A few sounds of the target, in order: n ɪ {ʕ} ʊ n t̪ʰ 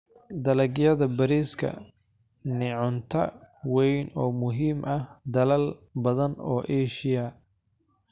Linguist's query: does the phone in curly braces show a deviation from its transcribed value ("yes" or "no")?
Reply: no